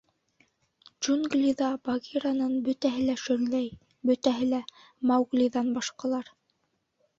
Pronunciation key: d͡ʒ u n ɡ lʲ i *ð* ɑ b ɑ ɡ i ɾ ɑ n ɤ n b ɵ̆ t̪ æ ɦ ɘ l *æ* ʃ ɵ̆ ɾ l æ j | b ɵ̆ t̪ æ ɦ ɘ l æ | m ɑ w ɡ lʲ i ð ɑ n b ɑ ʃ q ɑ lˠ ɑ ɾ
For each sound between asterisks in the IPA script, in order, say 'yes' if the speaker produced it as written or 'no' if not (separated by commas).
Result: yes, yes